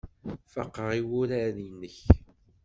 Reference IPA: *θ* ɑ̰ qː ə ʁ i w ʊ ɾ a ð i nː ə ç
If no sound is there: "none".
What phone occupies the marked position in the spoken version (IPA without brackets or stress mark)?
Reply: f